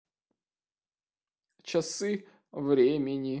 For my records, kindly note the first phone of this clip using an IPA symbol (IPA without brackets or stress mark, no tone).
t͡ɕ